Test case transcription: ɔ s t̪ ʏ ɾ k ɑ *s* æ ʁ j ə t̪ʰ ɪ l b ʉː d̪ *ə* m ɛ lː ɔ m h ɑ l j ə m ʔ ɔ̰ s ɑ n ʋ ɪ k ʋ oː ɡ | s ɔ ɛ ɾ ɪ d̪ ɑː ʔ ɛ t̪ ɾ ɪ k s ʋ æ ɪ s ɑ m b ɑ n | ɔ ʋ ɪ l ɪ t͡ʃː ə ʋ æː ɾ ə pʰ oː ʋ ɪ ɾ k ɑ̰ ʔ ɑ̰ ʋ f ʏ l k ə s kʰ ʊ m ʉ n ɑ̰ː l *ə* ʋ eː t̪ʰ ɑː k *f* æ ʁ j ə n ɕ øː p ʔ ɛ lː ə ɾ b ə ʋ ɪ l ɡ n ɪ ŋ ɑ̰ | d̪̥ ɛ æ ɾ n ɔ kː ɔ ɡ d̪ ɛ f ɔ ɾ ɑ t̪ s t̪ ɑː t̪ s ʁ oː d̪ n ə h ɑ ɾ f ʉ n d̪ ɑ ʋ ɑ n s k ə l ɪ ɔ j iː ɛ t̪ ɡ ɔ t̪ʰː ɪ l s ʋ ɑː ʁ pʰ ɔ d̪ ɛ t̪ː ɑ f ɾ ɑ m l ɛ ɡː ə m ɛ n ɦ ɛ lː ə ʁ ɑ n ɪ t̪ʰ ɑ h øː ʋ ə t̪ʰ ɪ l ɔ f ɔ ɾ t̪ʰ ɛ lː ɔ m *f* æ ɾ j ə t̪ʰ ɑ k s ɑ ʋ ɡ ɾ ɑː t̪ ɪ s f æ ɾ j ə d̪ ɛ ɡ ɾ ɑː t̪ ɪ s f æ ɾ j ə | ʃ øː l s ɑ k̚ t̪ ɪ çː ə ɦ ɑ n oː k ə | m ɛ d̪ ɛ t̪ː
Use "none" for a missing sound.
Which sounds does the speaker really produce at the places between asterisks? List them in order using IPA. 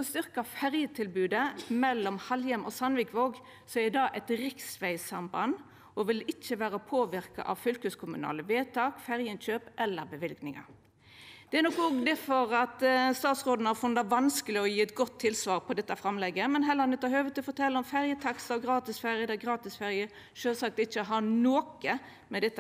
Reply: f, ə, ə, f, f

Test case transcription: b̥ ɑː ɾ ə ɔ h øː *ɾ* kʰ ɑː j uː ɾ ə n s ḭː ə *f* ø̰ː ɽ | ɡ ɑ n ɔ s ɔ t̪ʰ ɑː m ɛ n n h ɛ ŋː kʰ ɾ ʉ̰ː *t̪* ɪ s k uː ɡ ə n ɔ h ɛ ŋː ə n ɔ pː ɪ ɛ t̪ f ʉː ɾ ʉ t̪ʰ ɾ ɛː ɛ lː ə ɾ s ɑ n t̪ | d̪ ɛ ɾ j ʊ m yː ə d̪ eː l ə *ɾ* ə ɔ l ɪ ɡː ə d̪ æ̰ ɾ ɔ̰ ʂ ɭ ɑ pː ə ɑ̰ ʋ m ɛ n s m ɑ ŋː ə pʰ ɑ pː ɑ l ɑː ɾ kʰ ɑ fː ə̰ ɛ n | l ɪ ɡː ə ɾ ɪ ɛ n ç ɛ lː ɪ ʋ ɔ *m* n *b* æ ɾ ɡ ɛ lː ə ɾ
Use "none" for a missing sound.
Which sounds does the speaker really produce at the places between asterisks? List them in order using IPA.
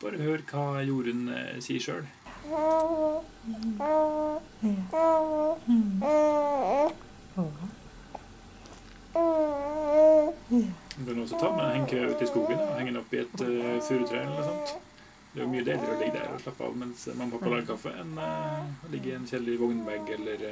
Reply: ɾ, ʂ, t̪, ɾ, ŋ, b

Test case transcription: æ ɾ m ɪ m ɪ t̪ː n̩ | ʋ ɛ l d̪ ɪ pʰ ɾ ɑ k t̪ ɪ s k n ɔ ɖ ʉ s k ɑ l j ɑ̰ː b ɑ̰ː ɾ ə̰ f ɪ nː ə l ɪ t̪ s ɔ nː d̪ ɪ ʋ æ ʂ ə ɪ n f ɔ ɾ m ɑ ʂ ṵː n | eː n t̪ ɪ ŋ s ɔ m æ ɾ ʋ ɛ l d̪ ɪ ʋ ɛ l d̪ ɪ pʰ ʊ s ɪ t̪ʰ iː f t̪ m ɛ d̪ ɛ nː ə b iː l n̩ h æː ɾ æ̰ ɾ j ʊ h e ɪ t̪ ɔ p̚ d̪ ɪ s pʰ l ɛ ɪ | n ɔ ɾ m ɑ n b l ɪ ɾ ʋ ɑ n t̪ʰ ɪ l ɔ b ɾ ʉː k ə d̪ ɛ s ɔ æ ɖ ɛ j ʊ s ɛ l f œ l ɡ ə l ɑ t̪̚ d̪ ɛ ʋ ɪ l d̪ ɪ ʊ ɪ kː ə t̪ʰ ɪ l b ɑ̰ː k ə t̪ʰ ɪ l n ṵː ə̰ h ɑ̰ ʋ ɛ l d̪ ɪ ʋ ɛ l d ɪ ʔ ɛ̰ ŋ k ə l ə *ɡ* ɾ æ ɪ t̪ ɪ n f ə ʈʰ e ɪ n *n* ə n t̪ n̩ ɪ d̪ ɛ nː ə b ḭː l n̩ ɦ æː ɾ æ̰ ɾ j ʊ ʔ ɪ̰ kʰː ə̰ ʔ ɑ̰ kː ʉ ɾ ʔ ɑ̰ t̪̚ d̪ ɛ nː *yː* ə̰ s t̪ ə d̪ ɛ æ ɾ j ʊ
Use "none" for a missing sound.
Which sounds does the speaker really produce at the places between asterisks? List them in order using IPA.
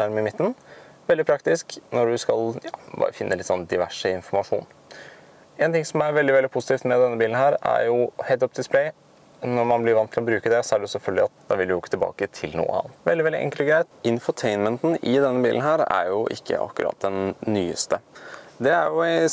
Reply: ɡ, m, yː

